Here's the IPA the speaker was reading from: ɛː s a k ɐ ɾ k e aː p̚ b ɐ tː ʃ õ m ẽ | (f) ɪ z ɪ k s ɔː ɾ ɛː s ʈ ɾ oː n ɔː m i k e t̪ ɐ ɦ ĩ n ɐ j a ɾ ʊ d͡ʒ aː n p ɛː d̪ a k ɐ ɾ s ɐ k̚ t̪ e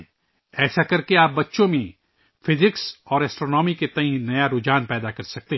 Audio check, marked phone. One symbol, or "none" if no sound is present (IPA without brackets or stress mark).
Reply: f